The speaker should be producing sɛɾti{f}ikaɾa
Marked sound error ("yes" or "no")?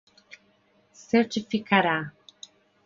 no